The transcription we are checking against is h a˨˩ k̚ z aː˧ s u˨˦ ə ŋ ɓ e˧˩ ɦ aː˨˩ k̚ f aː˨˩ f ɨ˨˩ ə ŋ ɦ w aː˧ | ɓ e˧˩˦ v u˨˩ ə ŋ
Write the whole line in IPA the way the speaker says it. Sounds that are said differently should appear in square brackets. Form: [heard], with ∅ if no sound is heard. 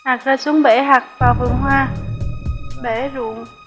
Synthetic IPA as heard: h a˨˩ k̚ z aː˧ s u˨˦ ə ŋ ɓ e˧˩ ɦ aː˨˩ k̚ [v] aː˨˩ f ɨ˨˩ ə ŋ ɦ w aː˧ | ɓ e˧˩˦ [z] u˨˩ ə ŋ